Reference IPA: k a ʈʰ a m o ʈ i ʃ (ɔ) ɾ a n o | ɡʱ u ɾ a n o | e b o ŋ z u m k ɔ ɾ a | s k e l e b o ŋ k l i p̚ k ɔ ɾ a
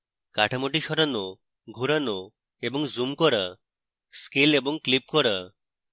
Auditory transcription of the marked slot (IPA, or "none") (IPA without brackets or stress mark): ɔ